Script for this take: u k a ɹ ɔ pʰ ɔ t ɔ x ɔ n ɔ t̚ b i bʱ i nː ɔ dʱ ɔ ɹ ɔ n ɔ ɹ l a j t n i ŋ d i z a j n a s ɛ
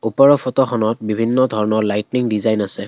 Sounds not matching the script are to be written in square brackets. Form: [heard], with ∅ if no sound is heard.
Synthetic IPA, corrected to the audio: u [p] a ɹ ɔ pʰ ɔ t ɔ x ɔ n ɔ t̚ b i bʱ i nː ɔ dʱ ɔ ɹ ɔ n ɔ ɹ l a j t n i ŋ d i z a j n a s ɛ

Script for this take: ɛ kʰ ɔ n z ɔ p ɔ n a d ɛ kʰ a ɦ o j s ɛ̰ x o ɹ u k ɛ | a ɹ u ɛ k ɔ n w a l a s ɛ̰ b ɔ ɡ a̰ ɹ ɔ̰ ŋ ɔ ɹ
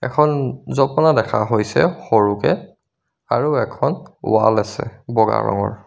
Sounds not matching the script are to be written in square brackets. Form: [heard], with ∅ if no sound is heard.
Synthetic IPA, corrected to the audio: ɛ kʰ ɔ n z ɔ p ɔ n a d ɛ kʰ a ɦ o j s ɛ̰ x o ɹ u k ɛ | a ɹ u ɛ [kʰ] ɔ n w a l a s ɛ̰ b ɔ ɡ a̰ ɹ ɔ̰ ŋ ɔ ɹ

